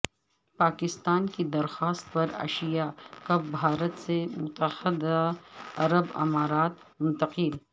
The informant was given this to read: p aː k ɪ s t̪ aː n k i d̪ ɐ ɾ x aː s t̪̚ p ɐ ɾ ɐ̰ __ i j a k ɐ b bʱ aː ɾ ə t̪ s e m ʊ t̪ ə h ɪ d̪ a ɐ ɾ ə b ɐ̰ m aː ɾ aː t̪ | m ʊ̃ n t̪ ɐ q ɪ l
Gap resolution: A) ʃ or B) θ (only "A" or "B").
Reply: A